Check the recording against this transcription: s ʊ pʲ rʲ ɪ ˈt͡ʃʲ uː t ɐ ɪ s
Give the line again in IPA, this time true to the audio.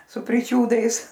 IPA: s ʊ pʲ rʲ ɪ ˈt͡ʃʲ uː d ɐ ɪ s